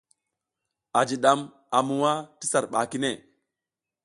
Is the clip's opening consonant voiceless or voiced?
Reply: voiced